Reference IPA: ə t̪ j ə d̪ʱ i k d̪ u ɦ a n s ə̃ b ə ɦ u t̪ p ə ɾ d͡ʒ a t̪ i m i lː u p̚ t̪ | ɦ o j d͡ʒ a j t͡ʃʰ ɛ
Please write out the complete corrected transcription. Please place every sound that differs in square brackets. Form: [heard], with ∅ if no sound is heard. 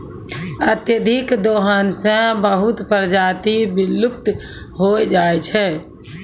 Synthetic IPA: ə t̪ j ə d̪ʱ i k d̪ [o] ɦ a n s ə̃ b ə ɦ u t̪ p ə ɾ d͡ʒ a t̪ i [b] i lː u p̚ t̪ | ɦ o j d͡ʒ a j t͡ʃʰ ɛ